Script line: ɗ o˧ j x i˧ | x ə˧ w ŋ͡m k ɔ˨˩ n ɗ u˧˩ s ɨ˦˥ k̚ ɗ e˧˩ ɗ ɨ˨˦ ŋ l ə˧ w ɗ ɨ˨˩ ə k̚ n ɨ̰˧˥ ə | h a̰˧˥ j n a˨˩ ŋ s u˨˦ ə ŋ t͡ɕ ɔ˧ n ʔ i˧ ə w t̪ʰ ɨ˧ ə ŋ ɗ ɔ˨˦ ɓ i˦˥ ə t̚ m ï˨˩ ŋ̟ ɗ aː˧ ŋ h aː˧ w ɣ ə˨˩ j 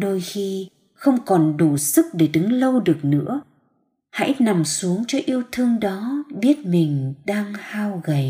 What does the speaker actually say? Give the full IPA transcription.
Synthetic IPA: ɗ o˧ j x i˧ | x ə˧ w ŋ͡m k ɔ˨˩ n ɗ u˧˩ s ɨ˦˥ k̚ ɗ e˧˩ ɗ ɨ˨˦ ŋ l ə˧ w ɗ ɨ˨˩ ə k̚ n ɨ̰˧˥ ə | h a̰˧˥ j n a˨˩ m s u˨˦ ə ŋ t͡ɕ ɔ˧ ʔ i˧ ə w t̪ʰ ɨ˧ ə ŋ ɗ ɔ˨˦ ɓ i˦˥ ə t̚ m ï˨˩ ŋ̟ ɗ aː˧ ŋ h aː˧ w ɣ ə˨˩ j